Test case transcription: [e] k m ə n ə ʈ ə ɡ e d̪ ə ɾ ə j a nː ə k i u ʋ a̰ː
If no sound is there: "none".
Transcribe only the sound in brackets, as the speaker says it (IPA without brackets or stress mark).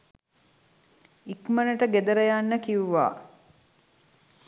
i